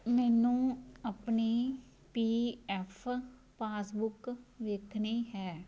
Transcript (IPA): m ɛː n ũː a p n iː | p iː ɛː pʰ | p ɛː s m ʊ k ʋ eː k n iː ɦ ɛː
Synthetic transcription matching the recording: m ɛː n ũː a p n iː | p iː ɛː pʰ | p aː s b ʊ k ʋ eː kʰ n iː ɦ ɛː